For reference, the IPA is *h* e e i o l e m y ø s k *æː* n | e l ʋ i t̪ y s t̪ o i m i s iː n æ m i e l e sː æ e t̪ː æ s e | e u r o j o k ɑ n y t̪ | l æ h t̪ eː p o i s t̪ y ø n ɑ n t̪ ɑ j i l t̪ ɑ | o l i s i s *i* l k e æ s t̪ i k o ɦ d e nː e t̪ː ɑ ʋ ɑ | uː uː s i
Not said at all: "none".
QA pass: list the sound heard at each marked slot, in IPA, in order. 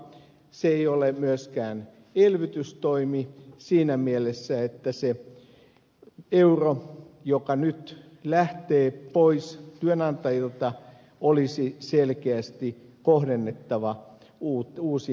s, æː, e

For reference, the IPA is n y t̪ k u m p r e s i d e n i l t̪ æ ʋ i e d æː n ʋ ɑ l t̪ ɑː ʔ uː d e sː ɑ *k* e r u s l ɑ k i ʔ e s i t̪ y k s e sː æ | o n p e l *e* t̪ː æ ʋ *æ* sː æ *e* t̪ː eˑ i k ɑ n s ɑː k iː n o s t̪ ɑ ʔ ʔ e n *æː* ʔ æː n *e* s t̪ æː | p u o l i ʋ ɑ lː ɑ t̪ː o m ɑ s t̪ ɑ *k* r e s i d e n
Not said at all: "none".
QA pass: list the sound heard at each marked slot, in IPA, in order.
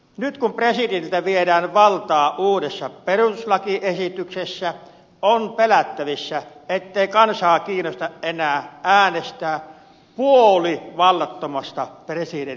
p, æ, i, e, æː, e, p

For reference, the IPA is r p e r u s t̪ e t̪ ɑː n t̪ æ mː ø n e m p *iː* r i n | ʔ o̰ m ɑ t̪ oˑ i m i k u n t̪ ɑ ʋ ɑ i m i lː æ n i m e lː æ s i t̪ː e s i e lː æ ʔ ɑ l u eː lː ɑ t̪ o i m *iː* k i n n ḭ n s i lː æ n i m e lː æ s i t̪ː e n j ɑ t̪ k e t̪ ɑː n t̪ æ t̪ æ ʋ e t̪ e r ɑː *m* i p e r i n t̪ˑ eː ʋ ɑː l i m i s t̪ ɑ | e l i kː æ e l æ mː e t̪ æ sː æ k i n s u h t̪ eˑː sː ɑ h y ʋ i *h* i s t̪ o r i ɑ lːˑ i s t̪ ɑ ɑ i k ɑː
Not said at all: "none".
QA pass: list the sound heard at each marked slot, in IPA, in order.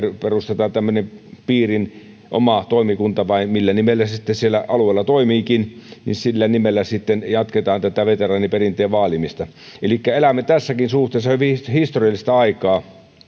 iː, iː, n, h

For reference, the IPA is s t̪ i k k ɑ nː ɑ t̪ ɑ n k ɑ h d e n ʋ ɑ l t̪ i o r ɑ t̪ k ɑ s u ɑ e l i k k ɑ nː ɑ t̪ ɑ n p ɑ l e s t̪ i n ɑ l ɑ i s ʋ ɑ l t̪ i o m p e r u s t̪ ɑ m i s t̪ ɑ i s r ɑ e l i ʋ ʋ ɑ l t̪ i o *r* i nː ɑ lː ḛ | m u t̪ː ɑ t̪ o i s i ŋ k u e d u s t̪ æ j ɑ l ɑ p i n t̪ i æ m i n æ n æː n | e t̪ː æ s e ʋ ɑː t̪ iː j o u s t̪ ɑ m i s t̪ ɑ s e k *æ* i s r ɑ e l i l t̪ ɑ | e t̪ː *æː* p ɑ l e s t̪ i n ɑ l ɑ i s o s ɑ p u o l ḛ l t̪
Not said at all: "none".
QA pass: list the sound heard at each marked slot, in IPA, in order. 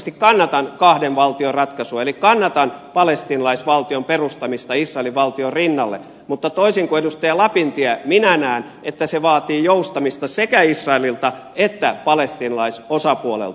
r, æ, æ

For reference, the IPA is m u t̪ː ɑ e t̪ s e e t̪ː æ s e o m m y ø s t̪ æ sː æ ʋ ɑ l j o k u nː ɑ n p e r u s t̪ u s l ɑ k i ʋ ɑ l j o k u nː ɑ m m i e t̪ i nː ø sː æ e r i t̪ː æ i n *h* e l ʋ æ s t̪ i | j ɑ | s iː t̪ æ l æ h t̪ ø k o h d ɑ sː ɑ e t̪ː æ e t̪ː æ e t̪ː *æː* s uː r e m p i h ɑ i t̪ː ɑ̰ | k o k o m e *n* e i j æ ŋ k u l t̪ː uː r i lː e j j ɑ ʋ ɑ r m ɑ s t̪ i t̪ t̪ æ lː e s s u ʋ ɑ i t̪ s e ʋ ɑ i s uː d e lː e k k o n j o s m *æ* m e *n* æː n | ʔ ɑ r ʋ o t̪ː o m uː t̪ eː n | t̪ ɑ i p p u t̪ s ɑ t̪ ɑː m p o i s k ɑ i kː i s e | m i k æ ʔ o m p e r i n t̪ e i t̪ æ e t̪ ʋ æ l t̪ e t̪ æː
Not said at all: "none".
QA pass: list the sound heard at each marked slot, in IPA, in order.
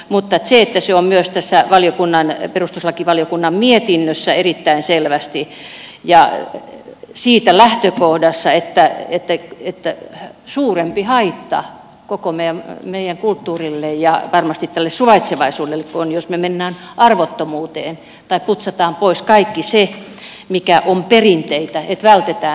s, æ, m, e, nː

